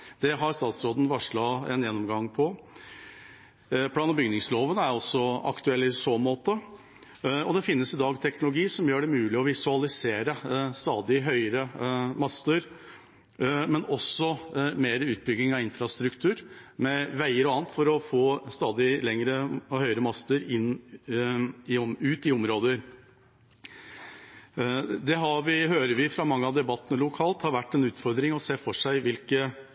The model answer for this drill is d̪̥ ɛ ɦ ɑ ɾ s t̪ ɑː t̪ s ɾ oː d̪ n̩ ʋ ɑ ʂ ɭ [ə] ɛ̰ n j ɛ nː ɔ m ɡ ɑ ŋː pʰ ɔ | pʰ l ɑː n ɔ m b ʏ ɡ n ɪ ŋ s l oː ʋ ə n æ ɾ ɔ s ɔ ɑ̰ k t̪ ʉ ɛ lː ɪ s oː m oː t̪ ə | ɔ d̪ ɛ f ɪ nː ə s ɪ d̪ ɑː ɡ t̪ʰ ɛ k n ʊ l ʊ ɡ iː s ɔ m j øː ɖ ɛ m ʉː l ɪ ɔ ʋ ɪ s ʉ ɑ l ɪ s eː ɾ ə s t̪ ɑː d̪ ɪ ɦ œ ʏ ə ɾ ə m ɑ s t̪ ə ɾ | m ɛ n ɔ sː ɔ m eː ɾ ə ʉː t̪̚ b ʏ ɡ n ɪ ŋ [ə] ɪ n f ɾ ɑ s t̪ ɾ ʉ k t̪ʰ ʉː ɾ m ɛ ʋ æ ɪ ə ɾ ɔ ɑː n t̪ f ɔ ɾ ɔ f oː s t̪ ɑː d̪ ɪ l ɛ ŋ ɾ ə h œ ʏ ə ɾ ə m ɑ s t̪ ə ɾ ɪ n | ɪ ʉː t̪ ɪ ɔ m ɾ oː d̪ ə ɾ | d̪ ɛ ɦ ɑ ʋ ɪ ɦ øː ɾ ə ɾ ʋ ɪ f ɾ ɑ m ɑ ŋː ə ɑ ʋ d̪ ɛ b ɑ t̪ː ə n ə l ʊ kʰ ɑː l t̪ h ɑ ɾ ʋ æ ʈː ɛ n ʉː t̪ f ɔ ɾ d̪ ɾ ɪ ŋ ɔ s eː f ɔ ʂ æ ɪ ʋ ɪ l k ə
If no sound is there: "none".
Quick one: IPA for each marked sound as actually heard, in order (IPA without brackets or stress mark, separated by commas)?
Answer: ɑ, ɑ